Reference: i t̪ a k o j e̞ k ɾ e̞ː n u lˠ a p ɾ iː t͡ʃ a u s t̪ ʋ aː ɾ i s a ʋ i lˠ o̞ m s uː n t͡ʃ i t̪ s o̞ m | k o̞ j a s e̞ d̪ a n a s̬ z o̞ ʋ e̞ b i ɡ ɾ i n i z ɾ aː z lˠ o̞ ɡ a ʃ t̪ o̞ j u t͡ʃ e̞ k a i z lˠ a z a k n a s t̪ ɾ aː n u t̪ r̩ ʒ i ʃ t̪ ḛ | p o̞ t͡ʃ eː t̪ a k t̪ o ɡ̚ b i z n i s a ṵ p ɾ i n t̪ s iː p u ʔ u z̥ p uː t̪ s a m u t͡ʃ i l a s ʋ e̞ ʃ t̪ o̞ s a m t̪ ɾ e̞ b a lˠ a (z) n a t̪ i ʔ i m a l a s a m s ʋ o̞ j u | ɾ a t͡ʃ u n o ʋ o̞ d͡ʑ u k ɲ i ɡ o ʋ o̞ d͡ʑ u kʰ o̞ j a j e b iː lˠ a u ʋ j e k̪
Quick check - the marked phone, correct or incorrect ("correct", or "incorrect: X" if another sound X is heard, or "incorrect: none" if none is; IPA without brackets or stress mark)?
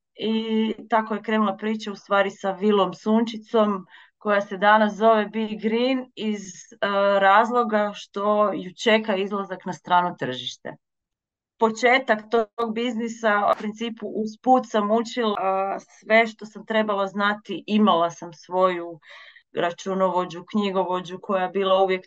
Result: correct